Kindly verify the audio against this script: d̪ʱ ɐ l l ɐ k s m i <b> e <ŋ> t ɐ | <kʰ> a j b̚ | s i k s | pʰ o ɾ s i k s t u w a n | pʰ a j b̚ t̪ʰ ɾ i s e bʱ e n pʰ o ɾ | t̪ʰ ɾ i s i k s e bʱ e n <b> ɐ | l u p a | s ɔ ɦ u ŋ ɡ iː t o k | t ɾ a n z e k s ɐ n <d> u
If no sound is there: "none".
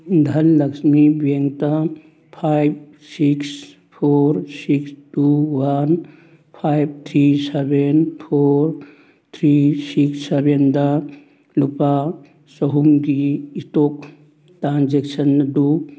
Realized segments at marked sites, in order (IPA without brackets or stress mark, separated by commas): b, ŋ, pʰ, d, d